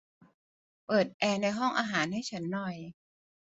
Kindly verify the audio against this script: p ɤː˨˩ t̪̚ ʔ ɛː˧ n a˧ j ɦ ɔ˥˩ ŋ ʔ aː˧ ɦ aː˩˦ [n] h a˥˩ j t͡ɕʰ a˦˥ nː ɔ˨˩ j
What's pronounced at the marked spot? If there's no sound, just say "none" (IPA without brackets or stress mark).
n